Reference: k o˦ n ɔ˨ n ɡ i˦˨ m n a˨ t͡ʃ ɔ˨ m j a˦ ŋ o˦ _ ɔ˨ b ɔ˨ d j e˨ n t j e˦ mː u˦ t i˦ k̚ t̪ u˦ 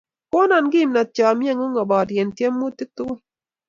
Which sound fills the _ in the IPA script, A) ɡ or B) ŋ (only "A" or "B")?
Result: B